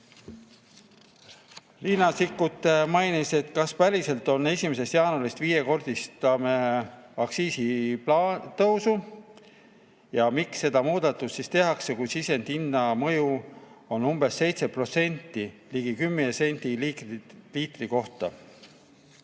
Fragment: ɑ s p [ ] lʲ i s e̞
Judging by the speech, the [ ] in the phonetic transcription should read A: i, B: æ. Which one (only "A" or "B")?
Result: B